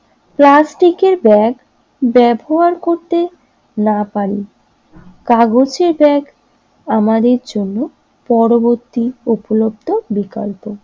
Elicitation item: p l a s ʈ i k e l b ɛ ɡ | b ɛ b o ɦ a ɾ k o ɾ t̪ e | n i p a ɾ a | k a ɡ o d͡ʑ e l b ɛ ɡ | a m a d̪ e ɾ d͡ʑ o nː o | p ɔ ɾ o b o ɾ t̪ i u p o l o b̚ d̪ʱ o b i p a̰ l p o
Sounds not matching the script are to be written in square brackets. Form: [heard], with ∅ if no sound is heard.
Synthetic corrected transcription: p l a s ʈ i k e [ɾ] b ɛ ɡ | b ɛ b o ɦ a ɾ k o ɾ t̪ e | n [a] p a ɾ [i] | k a ɡ o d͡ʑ e [ɾ] b ɛ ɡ | a m a d̪ e ɾ d͡ʑ o nː o | p ɔ ɾ o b o ɾ t̪ i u p o l o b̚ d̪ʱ o b i [k] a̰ l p o